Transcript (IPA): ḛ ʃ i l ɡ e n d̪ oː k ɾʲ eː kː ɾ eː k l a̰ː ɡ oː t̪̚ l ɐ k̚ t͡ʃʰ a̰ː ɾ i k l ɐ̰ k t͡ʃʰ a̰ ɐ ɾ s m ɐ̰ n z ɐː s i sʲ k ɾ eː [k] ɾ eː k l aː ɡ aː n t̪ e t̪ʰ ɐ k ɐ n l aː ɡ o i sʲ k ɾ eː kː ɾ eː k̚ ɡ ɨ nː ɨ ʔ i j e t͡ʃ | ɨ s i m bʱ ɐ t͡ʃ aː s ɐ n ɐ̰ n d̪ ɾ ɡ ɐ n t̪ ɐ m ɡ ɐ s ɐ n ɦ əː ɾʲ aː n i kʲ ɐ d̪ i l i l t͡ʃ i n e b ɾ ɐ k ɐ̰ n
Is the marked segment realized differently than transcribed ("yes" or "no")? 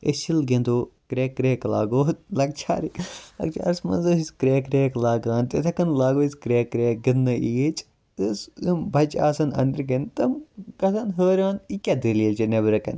no